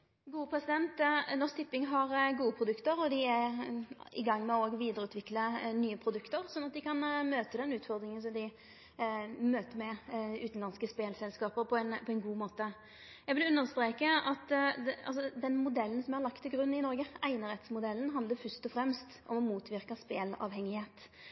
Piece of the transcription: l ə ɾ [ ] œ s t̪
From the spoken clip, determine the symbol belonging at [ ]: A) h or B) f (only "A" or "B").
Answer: B